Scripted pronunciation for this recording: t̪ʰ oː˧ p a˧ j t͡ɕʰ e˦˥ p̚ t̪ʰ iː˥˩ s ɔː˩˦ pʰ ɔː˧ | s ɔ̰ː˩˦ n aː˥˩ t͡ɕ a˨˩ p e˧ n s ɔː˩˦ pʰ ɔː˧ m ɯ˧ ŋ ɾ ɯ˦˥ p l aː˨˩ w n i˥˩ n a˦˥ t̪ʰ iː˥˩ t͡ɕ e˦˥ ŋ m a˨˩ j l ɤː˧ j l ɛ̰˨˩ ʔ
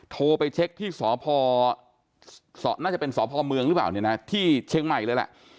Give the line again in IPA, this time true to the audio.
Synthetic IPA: t̪ʰ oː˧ p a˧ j t͡ɕʰ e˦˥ k̚ t̪ʰ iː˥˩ s ɔː˩˦ pʰ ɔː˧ | s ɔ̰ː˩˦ n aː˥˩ t͡ɕ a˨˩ p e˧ n s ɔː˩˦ pʰ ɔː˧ m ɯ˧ ŋ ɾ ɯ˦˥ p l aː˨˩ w n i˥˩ n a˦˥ t̪ʰ iː˥˩ t͡ɕʰ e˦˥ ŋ m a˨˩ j l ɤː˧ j l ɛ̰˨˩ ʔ

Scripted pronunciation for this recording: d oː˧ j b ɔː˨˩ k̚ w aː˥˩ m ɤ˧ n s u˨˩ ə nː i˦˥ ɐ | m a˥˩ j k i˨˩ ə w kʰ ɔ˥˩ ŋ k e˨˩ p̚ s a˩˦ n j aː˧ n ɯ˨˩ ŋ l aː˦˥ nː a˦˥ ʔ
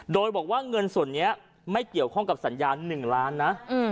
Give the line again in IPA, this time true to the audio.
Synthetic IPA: d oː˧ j b ɔː˨˩ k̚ w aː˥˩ ŋ ɤ˧ n s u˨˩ ə nː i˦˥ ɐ | m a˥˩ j k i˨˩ ə w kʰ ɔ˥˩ ŋ k a˨˩ p̚ s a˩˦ n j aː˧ nː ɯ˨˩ ŋ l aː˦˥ nː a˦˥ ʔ

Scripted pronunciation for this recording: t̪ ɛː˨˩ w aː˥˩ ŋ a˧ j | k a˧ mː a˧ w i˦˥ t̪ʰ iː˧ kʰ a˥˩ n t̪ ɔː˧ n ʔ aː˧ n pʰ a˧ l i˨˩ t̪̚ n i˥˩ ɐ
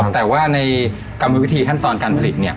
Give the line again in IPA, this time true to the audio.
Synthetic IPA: t̪ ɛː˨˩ w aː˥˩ n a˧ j | k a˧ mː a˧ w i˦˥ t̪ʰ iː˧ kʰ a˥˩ n t̪ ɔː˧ n k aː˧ n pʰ a˧ l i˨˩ t̪̚ n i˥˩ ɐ

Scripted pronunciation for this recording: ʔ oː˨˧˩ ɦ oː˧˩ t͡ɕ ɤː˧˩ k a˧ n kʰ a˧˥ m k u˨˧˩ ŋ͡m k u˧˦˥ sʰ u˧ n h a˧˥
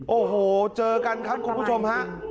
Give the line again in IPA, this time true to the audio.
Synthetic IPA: ʔ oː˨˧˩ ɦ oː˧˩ t͡ɕ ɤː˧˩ k a˧ n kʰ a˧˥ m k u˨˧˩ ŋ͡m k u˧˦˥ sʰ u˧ m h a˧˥

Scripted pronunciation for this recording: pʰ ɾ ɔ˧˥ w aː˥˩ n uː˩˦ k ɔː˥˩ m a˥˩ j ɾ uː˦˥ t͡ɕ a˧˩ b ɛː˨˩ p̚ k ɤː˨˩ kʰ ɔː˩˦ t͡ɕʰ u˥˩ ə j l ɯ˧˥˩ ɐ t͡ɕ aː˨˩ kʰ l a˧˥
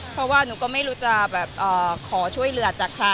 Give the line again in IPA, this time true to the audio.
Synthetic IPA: pʰ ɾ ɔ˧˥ w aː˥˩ n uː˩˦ k ɔː˥˩ m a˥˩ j ɾ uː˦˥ t͡ɕ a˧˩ b ɛː˨˩ p̚ ʔ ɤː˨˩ kʰ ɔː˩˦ t͡ɕʰ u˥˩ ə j l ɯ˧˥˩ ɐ t͡ɕ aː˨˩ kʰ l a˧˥

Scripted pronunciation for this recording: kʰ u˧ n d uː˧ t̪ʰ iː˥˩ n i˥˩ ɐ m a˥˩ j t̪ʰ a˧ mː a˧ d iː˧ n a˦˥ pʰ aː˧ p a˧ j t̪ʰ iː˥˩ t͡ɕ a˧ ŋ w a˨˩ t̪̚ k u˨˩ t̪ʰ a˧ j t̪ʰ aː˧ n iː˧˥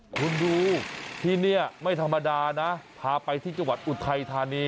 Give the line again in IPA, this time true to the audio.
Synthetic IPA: kʰ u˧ n d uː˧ t̪ʰ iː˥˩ n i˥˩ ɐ m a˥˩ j t̪ʰ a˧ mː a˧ d aː˧ n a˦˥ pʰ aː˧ p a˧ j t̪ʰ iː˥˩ t͡ɕ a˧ ŋ w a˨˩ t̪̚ ʔ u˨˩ t̪ʰ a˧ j t̪ʰ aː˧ n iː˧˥

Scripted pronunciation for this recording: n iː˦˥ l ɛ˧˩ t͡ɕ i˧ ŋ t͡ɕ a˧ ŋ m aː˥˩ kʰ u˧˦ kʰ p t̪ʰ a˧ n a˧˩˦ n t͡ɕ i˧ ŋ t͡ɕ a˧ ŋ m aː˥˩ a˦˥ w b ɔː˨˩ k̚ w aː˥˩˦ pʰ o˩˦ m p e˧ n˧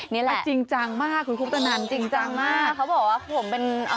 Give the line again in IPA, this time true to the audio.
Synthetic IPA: n i˦˥ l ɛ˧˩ t͡ɕ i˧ ŋ t͡ɕ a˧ ŋ m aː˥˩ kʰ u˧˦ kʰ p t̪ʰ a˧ n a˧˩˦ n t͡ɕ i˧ ŋ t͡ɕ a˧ ŋ m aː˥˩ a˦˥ w b ɔː˨˩ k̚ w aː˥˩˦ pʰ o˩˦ m p e˧ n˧

